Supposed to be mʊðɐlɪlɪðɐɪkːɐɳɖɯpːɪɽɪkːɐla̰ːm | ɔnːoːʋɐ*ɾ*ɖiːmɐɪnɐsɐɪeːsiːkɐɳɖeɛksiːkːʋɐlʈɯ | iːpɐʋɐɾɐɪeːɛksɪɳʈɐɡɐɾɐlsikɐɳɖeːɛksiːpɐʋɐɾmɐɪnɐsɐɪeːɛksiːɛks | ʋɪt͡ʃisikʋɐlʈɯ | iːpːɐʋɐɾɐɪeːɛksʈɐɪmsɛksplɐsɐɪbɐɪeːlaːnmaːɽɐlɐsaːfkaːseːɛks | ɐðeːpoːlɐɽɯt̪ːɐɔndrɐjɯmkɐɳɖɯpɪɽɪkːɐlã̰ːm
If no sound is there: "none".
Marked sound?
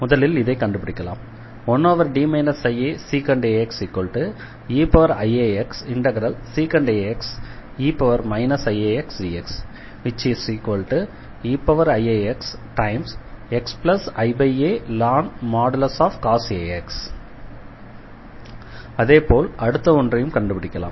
ɾ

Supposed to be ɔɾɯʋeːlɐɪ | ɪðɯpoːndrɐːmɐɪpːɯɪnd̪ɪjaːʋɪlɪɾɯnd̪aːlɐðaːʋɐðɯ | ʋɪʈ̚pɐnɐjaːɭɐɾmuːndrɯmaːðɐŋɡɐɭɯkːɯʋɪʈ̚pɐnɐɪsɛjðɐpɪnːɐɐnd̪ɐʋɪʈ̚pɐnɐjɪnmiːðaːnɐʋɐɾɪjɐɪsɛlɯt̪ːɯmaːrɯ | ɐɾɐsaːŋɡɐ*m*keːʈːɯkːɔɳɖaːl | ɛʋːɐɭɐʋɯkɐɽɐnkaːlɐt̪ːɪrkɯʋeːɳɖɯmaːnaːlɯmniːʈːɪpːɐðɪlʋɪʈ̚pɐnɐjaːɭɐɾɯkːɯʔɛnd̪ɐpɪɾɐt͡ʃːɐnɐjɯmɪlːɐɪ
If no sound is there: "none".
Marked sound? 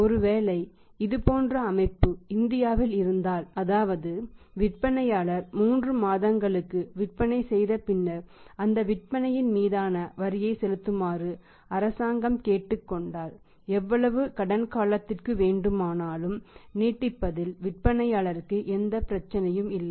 m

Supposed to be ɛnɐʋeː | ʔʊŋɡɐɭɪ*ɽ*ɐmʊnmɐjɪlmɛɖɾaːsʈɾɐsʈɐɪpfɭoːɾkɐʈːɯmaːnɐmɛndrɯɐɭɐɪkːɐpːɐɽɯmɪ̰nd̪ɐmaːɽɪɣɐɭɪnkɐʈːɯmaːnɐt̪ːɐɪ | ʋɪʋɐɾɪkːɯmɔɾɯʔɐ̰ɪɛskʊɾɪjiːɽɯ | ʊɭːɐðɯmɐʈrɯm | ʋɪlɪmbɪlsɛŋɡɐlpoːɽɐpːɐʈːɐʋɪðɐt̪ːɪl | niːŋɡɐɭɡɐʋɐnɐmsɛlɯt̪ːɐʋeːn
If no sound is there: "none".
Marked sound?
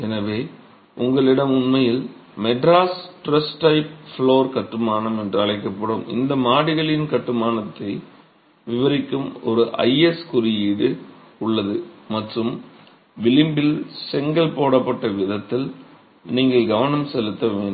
ɽ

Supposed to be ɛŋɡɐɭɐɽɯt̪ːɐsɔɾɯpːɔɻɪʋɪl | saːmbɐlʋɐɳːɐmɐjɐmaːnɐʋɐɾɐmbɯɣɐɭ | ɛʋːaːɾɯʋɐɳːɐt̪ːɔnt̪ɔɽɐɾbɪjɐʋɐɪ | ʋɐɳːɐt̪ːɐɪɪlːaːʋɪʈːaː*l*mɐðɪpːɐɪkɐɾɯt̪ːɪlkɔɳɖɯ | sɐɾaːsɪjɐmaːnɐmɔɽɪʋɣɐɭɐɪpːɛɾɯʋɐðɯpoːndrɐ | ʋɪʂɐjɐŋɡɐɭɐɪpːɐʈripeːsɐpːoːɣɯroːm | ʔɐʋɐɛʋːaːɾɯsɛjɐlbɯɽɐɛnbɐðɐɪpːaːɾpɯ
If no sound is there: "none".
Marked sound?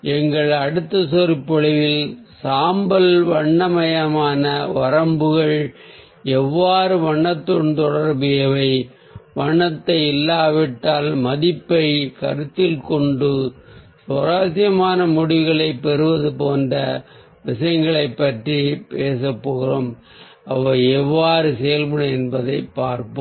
l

